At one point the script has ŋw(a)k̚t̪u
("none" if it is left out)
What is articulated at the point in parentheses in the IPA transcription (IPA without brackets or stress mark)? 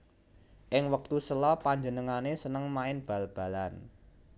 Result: ə